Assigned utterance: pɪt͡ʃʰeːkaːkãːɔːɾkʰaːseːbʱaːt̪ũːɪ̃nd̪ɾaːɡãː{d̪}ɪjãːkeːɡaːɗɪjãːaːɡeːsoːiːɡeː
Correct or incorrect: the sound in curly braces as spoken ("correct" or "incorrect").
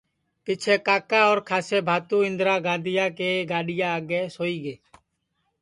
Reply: correct